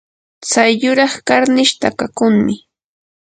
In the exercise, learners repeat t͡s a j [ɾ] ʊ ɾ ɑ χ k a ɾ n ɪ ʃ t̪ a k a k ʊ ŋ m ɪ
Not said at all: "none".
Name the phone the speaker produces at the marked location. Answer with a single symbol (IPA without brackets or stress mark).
ʎ